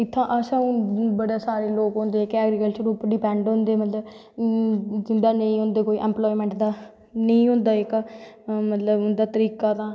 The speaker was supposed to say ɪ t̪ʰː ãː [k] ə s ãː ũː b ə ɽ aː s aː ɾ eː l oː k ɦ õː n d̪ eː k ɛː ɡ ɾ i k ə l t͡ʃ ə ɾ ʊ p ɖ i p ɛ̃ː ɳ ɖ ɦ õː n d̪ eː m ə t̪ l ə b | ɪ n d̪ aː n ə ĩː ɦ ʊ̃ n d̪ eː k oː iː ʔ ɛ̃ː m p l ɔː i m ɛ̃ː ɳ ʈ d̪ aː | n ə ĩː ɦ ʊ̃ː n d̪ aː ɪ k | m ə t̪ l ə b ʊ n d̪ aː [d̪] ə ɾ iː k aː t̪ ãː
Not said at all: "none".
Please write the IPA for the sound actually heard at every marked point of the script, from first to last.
ʔ, t̪

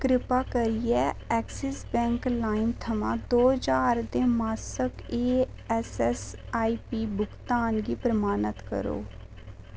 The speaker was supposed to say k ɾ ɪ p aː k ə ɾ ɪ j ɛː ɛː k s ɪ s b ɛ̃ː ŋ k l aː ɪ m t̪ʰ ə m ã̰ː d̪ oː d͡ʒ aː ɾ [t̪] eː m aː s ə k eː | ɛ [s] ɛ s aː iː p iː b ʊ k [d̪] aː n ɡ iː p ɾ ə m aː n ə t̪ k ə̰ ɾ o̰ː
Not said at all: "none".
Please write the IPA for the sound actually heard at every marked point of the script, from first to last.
d̪, s, t̪

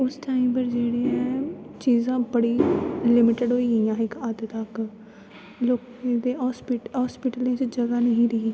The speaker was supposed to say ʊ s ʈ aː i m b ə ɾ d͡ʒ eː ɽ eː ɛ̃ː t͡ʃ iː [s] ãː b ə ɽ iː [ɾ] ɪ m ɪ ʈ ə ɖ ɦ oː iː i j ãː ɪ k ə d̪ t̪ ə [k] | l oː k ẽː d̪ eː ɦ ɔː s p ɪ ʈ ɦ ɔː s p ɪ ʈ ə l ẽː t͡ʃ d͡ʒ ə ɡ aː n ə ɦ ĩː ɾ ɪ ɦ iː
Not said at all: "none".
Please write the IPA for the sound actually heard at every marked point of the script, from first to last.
z, l, k

